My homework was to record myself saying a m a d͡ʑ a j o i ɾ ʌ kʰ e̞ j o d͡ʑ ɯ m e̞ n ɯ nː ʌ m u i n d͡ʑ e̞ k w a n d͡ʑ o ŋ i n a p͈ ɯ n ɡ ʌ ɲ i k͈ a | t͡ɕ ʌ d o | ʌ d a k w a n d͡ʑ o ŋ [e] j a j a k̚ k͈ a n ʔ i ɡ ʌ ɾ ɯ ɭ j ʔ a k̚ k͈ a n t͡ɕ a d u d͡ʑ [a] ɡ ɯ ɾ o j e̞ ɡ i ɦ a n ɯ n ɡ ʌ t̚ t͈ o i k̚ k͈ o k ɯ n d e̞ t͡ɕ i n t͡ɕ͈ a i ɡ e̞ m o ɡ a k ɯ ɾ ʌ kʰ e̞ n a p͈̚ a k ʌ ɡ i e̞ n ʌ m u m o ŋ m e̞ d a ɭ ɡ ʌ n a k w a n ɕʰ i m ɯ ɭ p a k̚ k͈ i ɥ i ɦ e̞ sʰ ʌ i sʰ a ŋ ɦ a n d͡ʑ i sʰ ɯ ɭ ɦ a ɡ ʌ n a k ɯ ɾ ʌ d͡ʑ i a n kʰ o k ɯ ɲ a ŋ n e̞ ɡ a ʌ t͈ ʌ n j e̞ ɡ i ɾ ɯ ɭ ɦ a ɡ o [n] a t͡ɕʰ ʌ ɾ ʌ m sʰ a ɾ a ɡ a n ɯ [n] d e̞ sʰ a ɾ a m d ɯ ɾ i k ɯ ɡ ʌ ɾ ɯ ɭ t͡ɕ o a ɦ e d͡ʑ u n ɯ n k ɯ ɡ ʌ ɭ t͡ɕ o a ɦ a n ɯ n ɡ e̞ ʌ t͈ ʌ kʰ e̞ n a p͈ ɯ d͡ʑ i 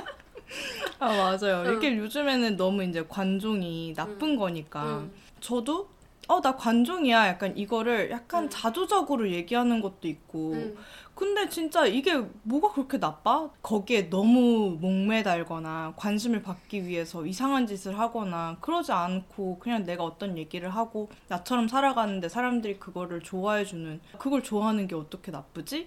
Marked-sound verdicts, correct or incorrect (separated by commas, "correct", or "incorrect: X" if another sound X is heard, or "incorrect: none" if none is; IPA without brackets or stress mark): incorrect: i, incorrect: ʌ, correct, correct